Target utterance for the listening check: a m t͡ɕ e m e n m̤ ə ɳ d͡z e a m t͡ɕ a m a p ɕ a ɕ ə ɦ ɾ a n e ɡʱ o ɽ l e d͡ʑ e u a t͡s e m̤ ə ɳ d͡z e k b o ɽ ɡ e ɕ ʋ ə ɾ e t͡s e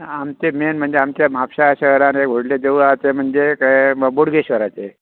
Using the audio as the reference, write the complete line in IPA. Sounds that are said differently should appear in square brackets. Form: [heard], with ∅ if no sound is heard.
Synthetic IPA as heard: a m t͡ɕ e m e n m̤ ə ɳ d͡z e a m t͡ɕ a m a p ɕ a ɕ ə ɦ ɾ a n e ɡʱ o ɽ l e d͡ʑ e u a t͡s e m̤ ə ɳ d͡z e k b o ɽ ɡ e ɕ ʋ ə ɾ [a] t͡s e

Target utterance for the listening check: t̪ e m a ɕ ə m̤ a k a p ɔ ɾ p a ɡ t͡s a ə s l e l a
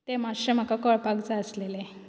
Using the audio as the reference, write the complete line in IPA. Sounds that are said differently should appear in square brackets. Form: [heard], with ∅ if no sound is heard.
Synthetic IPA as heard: t̪ e m a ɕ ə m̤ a k a [k] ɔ [ɭ] p a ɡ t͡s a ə s l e l [e]

